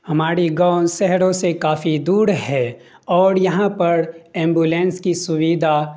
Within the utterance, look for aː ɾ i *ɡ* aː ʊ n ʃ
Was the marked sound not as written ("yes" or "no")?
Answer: no